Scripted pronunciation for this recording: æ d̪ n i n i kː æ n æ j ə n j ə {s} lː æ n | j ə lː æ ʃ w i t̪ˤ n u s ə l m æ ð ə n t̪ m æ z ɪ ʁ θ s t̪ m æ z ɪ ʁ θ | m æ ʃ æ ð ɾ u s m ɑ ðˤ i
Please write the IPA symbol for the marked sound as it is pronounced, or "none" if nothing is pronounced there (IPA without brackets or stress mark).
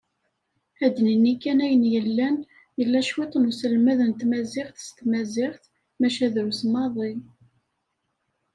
none